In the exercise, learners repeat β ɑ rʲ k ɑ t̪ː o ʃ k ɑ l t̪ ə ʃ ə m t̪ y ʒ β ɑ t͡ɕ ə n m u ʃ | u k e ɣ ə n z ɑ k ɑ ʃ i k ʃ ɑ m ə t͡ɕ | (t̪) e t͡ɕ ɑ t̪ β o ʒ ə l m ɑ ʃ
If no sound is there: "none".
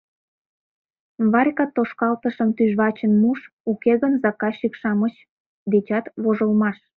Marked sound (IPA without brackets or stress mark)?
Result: d̪